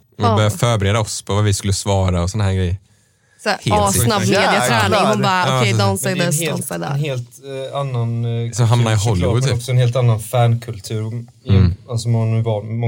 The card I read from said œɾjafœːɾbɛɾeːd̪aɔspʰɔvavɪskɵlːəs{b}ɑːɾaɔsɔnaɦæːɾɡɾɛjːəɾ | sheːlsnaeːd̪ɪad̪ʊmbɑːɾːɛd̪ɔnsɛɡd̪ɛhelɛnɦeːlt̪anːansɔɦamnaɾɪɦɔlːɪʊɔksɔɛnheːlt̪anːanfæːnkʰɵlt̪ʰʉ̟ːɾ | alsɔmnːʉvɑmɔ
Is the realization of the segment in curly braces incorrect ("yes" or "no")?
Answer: yes